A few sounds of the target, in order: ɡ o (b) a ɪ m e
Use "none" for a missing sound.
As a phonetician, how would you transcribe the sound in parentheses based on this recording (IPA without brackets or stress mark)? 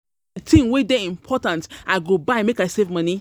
b